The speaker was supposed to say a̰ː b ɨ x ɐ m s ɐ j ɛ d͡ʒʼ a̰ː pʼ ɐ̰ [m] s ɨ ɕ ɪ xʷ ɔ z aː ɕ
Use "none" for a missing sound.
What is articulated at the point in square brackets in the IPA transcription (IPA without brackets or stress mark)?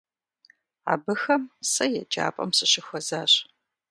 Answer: m